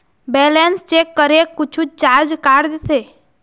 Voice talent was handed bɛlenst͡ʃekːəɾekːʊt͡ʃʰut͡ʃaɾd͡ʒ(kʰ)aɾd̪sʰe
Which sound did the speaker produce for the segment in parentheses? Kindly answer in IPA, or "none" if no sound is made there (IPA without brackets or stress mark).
k